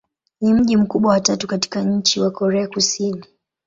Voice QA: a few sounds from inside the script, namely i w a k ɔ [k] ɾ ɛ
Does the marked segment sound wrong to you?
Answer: yes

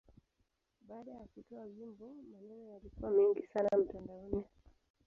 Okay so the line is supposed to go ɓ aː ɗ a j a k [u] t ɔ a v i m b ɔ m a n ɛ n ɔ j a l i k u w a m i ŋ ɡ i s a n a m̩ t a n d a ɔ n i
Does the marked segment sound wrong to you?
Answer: no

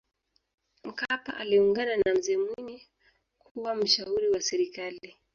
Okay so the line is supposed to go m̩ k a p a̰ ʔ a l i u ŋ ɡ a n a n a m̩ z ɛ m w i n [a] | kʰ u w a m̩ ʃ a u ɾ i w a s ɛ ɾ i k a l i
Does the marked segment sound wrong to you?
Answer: yes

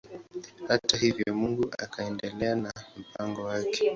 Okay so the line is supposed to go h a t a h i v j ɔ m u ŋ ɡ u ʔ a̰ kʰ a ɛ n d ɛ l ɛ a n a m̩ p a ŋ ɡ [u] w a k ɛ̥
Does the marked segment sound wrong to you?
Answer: yes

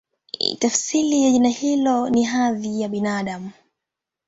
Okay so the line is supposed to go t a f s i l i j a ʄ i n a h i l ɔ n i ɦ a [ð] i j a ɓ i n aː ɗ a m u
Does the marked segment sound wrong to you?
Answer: no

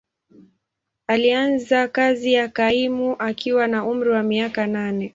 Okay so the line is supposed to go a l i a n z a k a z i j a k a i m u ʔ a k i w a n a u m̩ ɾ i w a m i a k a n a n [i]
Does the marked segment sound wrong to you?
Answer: yes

